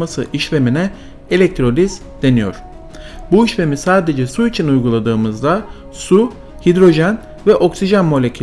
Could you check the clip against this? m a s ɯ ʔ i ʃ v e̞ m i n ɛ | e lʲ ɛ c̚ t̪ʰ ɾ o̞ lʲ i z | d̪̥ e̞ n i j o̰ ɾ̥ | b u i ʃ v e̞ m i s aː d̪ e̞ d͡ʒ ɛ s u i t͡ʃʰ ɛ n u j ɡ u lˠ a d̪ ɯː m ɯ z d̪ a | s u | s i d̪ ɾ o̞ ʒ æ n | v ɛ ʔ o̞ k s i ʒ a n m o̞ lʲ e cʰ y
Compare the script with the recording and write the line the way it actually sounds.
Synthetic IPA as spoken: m a s ɯ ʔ i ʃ v e̞ m i n ɛ | e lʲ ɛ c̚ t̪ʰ ɾ o̞ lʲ i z | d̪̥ e̞ n i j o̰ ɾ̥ | b u i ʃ v e̞ m i s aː d̪ e̞ d͡ʒ ɛ s u i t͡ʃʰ i n u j ɡ u lˠ a d̪ ɯː m ɯ z d̪ a | s u | h i d̪ ɾ o̞ ʒ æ n | v ɛ ʔ o̞ k s i ʒ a n m o̞ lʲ e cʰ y